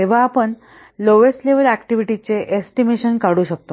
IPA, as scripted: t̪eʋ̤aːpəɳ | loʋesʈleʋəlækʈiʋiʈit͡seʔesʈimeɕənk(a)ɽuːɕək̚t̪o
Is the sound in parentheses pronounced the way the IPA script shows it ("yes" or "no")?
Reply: yes